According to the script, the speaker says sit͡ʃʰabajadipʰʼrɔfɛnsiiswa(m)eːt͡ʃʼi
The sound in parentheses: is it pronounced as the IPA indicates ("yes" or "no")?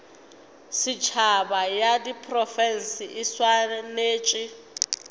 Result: no